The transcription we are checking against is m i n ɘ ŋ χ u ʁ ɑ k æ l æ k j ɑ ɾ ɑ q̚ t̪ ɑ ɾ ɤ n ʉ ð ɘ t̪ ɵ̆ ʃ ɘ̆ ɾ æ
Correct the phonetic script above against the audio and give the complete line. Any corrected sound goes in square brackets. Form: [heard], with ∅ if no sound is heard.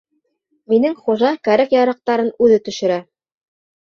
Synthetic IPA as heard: m i n ɘ ŋ χ u [ʒ] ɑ k æ [ɾ] æ k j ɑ ɾ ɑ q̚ t̪ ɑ ɾ ɤ n ʉ ð ɘ t̪ ɵ̆ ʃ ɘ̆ ɾ æ